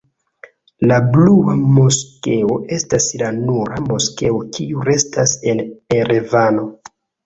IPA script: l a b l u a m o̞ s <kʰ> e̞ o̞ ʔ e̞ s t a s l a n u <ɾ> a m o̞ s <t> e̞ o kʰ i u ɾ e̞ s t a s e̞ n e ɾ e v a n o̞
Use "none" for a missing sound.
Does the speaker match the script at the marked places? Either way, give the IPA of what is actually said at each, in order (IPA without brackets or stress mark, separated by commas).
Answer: k, ɾ, k